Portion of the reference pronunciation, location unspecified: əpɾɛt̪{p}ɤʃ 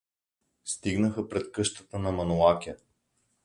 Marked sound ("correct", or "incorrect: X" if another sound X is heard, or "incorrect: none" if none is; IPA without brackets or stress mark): incorrect: k